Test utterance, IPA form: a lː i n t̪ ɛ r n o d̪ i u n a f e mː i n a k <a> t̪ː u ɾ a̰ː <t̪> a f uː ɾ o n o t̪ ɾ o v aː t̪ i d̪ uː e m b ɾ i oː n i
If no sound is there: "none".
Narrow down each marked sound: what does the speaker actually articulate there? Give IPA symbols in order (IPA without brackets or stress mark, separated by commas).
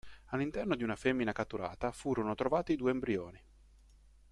a, t̪